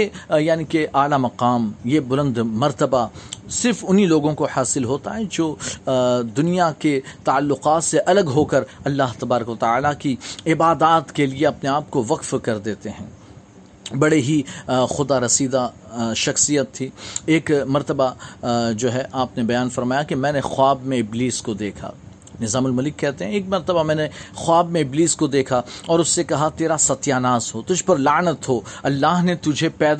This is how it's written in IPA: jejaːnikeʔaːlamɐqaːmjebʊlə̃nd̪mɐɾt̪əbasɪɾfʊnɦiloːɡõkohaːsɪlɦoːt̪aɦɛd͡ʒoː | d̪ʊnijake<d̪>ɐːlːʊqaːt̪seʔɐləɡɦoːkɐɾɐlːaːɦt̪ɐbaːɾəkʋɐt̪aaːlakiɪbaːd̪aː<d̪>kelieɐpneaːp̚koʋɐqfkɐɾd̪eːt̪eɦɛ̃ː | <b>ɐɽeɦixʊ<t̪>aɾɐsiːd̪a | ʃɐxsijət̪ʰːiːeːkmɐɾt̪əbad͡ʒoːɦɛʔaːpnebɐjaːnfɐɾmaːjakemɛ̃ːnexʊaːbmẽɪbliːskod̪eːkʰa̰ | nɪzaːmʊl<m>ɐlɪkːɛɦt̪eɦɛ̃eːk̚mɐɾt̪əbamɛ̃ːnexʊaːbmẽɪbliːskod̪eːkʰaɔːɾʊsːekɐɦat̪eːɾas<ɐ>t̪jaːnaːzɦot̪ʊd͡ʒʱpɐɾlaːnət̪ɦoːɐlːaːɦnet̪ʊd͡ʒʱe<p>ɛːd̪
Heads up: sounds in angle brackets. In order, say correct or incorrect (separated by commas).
incorrect, incorrect, correct, incorrect, correct, correct, correct